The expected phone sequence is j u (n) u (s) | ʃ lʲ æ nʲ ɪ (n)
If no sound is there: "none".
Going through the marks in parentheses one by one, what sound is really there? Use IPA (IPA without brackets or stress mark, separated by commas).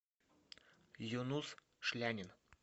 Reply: n, s, n